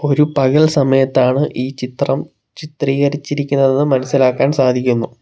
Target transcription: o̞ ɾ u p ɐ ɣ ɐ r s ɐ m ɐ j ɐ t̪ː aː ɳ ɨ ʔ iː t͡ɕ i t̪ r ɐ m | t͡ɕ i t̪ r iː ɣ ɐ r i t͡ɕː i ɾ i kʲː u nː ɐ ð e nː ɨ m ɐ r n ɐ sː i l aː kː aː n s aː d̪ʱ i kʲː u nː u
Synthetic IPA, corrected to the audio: o̞ ɾ u p ɐ ɣ ɐ ɭ s ɐ m ɐ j ɐ t̪ː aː ɳ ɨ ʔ iː t͡ɕ i t̪ r ɐ m | t͡ɕ i t̪ r iː ɣ ɐ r i t͡ɕː i ɾ i kʲː u nː ɐ ð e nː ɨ m ɐ n ɐ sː i l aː kː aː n s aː d̪ʱ i kʲː u nː u